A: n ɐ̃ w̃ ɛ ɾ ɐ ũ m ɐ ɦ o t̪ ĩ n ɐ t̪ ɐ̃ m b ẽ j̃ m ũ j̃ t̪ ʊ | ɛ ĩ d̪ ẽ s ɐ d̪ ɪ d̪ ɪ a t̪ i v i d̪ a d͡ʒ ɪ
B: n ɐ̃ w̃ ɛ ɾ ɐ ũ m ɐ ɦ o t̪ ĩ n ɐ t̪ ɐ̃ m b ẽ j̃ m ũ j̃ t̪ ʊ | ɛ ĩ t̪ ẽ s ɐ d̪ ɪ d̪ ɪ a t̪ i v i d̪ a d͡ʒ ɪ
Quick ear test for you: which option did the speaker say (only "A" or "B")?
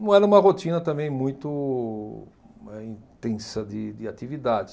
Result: B